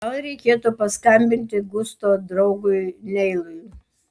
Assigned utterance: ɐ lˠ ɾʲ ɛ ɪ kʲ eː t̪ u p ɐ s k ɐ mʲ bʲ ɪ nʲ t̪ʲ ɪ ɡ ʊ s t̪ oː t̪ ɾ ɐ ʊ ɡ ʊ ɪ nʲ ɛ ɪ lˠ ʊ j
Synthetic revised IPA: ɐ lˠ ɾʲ ɛ ɪ kʲ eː t̪ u p ɐ s k ɐ mʲ bʲ ɪ nʲ t̪ʲ ɪ ɡ ʊ s t̪ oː d̪ ɾ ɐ ʊ ɡ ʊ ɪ nʲ ɛ ɪ lˠ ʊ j